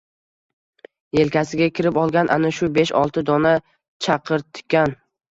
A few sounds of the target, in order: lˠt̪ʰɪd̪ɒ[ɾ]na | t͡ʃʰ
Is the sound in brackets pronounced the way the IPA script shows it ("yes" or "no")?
no